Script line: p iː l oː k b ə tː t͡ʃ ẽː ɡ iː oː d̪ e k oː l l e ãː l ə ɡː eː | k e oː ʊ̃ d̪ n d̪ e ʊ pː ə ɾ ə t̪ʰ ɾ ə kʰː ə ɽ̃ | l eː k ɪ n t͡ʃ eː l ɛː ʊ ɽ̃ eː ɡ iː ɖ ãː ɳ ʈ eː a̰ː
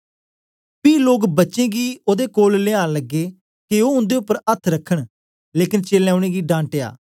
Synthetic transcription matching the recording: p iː l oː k b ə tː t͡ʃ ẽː ɡ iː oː d̪ e k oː l l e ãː l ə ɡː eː | k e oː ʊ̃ n d̪ e ʊ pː ə ɾ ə t̪ʰ ɾ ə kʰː ə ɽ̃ | l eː k ɪ n t͡ʃ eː l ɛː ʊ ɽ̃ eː ɡ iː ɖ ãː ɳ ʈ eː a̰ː